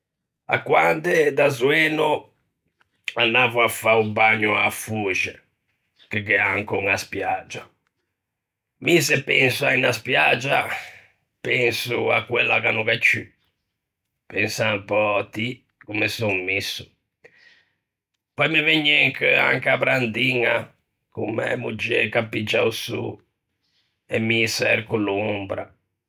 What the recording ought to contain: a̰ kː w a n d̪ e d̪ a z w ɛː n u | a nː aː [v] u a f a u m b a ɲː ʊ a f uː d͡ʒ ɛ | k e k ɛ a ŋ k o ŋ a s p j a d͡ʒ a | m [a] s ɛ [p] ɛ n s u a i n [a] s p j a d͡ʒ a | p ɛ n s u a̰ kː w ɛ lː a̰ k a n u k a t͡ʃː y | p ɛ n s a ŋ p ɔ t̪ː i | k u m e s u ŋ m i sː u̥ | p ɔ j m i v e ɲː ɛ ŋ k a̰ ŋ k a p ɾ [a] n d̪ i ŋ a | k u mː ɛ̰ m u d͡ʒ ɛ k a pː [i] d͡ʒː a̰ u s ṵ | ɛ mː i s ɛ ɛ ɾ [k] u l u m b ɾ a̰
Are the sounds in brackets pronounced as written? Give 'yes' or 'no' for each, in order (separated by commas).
yes, no, yes, yes, yes, yes, yes